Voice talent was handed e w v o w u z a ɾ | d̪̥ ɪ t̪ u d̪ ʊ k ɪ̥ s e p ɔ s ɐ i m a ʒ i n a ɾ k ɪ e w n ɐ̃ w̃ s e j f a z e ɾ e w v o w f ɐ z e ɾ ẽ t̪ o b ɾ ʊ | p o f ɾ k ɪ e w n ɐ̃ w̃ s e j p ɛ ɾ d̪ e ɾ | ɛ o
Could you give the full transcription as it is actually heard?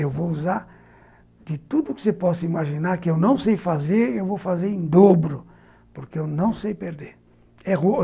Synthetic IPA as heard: e w v o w u z a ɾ | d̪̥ ɪ t̪ u d̪ ʊ k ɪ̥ s e p ɔ s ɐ i m a ʒ i n a ɾ k ɪ e w n ɐ̃ w̃ s e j f a z e ɾ e w v o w f a z e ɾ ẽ d̪ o b ɾ ʊ | p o ɾ k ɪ e w n ɐ̃ w̃ s e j p e ɾ d̪ e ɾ | ɛ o